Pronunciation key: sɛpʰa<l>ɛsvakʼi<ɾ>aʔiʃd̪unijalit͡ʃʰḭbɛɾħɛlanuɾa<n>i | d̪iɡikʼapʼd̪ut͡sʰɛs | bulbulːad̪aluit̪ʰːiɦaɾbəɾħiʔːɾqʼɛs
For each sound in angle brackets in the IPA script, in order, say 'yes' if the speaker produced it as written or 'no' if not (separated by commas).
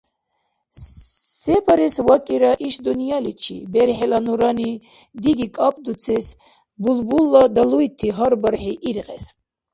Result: no, yes, yes